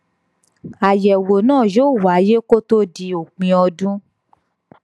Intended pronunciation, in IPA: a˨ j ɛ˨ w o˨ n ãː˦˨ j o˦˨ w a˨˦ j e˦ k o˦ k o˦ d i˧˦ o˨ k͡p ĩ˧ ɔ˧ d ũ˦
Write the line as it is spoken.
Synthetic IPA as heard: a˨ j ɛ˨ w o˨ n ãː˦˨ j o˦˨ w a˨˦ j e˦ k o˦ t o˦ d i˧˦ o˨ k͡p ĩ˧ ɔ˧ d ũ˦